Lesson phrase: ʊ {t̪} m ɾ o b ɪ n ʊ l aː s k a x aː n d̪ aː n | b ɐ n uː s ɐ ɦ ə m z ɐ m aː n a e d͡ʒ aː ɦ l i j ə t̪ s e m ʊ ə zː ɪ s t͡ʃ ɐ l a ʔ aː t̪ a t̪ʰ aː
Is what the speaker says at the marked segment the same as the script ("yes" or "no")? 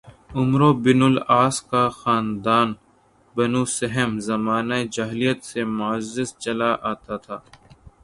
no